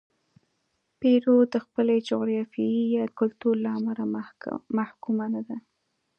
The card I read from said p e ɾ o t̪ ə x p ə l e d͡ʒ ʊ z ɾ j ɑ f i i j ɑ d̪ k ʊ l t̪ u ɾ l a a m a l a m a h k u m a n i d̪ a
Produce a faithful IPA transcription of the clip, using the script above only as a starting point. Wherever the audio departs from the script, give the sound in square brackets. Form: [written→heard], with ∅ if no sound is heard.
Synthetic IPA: p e ɾ o [t̪→d̪] ə x p ə l e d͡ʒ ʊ [z→ɣ] ɾ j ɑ f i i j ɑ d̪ k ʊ l t̪ u ɾ l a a m a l a m a h k u m a n [i→a] d̪ a